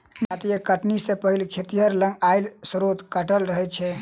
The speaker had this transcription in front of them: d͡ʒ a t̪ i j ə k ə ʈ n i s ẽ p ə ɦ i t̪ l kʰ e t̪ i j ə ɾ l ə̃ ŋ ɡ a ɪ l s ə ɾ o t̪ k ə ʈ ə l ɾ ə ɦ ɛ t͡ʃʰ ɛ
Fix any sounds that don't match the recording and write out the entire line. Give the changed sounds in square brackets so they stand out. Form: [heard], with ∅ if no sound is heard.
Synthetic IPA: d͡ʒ a t̪ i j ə k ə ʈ n i s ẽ p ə ɦ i [∅] l kʰ e t̪ i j ə ɾ l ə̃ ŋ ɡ a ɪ l s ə ɾ o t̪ k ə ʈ ə l ɾ ə ɦ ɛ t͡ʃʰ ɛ